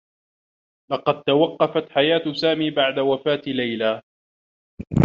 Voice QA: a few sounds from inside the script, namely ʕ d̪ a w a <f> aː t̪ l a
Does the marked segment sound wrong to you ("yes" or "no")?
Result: no